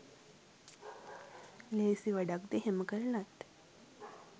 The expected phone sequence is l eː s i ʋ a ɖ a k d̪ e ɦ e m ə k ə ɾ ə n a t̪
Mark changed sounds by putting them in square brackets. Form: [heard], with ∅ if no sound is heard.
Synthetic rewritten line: l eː s i ʋ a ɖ a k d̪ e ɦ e m ə k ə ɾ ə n a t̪